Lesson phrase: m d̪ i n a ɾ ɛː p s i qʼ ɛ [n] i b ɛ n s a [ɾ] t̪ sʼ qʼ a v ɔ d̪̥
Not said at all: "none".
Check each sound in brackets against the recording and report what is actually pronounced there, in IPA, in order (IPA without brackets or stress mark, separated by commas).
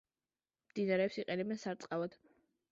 n, ɾ